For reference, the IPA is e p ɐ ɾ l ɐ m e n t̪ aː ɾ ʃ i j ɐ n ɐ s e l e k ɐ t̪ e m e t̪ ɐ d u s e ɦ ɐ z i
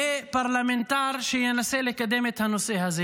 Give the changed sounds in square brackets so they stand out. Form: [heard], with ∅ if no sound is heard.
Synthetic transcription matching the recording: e p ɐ ɾ l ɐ m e n t̪ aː ɾ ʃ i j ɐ n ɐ s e l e k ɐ [d̪] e m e [t̪ʰ] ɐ [n] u s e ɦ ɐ z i